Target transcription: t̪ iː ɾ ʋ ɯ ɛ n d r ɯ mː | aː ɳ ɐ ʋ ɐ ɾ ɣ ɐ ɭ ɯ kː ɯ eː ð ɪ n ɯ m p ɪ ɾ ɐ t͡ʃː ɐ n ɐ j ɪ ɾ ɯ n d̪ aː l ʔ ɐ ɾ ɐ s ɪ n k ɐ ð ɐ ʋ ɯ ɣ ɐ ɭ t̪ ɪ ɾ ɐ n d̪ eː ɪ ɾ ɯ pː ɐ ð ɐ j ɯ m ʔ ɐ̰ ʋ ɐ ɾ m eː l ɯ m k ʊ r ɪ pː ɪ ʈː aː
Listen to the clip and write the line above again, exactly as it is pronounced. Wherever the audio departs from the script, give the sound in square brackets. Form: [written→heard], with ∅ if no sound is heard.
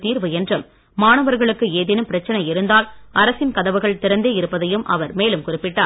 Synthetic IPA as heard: t̪ iː ɾ ʋ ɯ ɛ n d r ɯ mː | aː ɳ ɐ ʋ ɐ ɾ ɣ ɐ ɭ ɯ kː ɯ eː ð ɪ n ɯ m p ɪ ɾ ɐ t͡ʃː ɐ n ɐ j ɪ ɾ ɯ n d̪ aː l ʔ ɐ ɾ ɐ s ɪ n k ɐ ð ɐ ʋ ɯ ɣ ɐ ɭ t̪ ɪ ɾ ɐ n d̪ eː ɪ ɾ ɯ pː ɐ ð ɐ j ɯ m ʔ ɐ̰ ʋ ɐ ɾ m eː l ɯ m k ʊ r ɪ pː ɪ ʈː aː